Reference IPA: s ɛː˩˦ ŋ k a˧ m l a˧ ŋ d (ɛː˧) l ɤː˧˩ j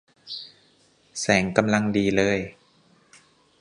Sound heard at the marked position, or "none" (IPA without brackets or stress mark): iː˧